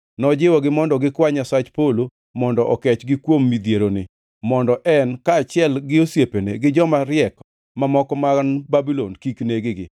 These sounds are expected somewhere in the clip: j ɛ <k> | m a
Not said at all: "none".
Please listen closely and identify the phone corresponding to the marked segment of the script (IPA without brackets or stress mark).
k